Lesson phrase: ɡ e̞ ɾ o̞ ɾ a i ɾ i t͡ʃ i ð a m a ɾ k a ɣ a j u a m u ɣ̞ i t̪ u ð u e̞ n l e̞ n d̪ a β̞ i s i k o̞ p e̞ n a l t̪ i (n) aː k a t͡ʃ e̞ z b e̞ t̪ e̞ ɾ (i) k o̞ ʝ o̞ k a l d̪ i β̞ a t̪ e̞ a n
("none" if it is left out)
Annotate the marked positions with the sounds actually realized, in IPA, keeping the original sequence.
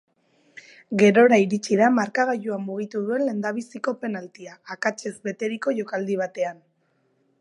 none, i

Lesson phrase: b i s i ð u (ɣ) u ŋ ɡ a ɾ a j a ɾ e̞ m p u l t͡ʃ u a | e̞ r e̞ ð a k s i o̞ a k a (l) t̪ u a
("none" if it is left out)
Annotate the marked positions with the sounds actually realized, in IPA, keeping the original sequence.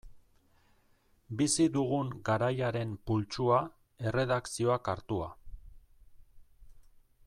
ɣ, ɾ

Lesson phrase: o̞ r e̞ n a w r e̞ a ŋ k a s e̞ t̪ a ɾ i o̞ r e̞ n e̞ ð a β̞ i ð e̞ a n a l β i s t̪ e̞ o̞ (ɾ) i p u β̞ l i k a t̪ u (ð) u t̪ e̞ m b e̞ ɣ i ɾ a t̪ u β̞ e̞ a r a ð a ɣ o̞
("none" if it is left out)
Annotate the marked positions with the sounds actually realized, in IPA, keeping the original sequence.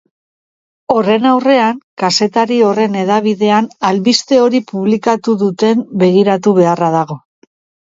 ɾ, ð

